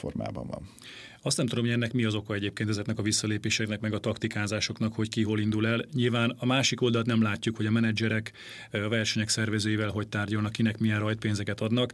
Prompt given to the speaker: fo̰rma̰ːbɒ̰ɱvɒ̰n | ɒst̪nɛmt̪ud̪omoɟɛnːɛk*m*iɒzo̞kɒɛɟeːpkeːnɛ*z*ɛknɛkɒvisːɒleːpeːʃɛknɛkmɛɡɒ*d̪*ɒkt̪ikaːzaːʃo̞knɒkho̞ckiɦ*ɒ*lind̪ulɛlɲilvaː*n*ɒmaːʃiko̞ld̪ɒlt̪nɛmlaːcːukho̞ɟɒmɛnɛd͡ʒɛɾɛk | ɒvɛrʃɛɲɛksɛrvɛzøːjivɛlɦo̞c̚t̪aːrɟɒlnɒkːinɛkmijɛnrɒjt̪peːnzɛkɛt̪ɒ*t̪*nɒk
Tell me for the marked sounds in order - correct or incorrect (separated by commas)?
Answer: correct, correct, incorrect, incorrect, correct, incorrect